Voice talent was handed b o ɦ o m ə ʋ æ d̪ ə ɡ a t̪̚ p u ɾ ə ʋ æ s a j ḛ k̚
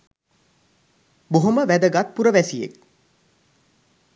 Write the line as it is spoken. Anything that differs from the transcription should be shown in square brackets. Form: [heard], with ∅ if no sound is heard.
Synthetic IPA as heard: b o ɦ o m ə ʋ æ d̪ ə ɡ a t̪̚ p u ɾ ə ʋ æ s [i] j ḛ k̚